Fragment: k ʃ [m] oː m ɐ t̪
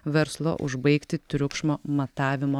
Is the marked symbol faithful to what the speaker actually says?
yes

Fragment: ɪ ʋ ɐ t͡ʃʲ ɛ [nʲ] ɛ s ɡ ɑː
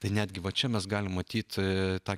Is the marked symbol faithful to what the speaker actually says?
no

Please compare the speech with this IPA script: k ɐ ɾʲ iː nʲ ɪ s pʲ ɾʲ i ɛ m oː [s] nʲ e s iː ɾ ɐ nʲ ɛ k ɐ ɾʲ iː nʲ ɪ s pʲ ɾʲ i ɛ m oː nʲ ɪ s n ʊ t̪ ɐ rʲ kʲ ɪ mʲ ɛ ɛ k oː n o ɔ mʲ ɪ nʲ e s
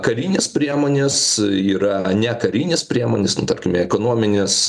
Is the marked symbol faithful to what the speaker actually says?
no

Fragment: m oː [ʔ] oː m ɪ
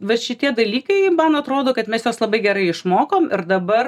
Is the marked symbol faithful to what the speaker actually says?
no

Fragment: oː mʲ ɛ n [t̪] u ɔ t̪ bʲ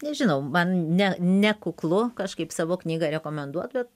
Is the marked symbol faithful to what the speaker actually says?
no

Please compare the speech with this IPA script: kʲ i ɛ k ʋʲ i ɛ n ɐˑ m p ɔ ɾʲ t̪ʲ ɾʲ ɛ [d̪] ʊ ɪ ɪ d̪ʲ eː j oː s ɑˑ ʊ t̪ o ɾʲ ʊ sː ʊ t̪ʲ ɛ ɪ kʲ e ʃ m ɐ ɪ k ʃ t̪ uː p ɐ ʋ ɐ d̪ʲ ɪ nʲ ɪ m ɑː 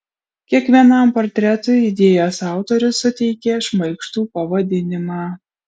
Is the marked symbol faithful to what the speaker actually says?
no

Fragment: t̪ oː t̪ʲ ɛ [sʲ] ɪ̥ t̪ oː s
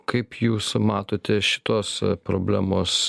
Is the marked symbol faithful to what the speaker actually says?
no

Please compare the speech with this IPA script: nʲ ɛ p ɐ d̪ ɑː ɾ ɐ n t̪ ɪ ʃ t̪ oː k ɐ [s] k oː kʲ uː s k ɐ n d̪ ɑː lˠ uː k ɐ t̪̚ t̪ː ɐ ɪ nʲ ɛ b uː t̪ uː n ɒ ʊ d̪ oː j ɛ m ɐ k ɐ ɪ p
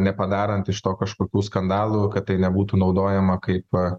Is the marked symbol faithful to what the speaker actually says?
no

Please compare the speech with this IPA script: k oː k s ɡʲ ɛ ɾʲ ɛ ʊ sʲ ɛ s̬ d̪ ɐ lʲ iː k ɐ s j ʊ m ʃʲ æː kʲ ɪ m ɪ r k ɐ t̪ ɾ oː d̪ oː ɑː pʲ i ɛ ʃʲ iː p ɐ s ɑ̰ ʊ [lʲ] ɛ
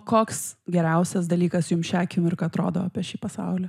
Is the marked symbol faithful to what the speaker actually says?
yes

